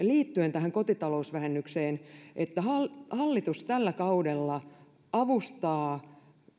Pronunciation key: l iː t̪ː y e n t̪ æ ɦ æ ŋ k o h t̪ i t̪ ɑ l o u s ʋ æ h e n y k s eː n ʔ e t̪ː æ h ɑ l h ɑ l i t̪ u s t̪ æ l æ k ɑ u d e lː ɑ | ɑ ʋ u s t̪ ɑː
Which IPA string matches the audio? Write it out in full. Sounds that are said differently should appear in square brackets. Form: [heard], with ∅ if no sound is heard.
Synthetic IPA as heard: l iː t̪ː y e n t̪ æ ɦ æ ŋ k o [∅] t̪ i t̪ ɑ l o u s ʋ æ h e [nː] y k s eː n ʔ e t̪ː æ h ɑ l h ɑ [lː] i t̪ u s t̪ æ [lː] æ k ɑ u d e lː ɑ | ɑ ʋ u s t̪ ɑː